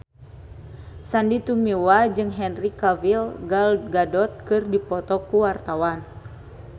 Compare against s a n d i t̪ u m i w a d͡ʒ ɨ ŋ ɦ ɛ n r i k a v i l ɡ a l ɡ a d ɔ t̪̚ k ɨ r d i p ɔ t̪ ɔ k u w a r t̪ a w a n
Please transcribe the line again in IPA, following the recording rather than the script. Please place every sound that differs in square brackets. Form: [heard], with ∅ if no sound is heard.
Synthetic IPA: s a n d i t̪ u m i w a d͡ʒ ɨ ŋ ɦ ɛ n r i k a v i l ɡ a l ɡ a d ɔ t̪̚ k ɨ r d i p ɔ t̪ ɔ k u w a r t̪ a w a n